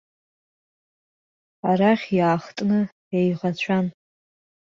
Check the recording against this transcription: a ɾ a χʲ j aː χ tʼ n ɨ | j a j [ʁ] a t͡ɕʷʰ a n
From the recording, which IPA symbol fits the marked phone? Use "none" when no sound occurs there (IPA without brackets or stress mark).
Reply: ʁ